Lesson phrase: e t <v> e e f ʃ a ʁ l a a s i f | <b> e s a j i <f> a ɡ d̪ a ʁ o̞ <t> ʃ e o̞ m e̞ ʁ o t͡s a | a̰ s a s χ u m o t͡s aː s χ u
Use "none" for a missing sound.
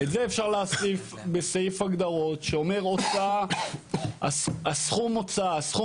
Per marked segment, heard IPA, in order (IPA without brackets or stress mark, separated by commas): z, b, f, t